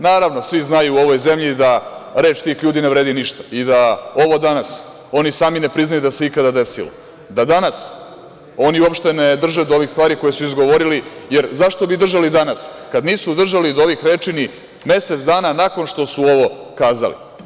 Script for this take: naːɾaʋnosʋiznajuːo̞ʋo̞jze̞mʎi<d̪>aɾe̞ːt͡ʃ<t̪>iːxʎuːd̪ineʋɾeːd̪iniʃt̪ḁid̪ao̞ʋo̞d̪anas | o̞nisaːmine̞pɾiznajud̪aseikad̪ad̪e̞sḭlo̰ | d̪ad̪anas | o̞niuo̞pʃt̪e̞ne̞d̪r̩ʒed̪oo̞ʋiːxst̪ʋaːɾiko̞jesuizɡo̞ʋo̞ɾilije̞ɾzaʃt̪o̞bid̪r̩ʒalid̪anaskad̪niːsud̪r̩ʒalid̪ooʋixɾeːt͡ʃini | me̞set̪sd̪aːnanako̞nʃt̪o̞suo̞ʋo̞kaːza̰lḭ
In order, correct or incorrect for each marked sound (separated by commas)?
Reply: correct, correct